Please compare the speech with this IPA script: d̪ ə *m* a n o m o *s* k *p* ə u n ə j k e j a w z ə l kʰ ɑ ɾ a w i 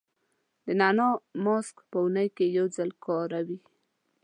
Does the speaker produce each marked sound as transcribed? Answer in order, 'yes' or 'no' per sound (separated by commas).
no, yes, yes